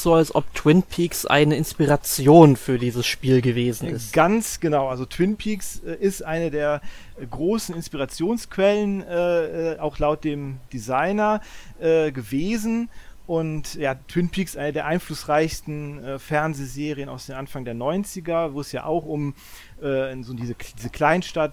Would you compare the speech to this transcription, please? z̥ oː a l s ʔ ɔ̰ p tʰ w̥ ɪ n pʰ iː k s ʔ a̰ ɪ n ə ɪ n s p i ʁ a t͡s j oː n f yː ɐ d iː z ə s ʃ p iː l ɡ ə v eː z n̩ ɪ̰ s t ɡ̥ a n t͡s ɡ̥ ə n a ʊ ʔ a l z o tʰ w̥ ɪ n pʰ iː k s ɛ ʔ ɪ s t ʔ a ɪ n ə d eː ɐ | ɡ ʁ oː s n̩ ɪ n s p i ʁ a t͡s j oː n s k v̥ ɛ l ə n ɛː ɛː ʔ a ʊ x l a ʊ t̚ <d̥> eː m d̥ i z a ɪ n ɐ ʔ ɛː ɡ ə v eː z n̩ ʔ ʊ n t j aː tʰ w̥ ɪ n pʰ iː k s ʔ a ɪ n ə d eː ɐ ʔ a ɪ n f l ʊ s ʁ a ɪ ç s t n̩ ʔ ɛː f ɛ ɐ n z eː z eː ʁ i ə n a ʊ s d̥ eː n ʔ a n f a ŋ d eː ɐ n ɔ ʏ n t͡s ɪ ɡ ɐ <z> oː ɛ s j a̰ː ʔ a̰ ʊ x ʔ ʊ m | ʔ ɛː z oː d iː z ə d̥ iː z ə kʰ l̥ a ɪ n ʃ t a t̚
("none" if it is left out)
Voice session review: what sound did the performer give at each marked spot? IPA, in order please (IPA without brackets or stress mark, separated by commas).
d̥, v